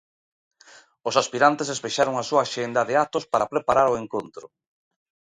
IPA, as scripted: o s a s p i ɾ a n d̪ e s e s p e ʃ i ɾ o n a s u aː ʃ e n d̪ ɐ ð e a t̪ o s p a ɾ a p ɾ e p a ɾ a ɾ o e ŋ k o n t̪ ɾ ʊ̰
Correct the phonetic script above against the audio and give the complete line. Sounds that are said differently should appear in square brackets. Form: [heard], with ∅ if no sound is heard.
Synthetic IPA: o s a s p i ɾ a n [t̪] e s e s p e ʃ [a] ɾ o [ŋ] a s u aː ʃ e n d̪ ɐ ð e a t̪ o s p a ɾ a p ɾ e p a ɾ a ɾ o e ŋ k o n t̪ ɾ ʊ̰